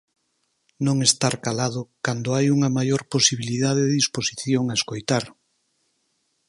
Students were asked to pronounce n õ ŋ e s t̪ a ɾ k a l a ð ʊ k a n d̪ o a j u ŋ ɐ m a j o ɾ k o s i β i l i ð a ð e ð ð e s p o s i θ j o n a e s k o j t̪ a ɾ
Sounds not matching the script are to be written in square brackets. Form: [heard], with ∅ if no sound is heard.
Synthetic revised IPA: n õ ŋ e s t̪ a ɾ k a l a ð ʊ k a n d̪ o a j u ŋ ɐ m a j o ɾ [p] o s i β i l i ð a ð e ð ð [i] s p o s i θ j o [ŋ] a e s k o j t̪ a ɾ